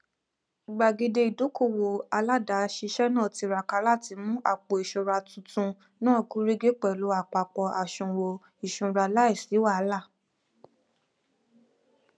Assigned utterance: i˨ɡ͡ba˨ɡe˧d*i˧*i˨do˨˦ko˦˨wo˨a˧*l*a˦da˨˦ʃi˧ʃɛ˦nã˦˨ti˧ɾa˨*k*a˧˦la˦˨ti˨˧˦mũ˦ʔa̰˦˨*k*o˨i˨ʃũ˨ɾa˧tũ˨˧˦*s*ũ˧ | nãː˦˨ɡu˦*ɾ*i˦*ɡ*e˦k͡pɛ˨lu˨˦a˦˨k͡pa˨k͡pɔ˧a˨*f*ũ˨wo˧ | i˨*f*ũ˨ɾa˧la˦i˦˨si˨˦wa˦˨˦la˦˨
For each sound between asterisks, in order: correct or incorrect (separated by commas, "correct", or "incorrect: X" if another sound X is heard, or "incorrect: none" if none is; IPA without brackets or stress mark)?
incorrect: e˧, correct, correct, incorrect: k͡p, incorrect: t, correct, correct, incorrect: ʃ, incorrect: ʃ